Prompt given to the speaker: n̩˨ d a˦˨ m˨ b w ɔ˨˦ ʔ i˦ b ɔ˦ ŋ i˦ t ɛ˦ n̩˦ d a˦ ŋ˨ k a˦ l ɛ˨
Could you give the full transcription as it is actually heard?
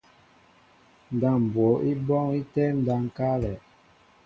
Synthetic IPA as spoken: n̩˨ d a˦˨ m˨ b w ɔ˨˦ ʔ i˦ b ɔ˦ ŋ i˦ t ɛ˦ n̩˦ d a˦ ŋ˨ k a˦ l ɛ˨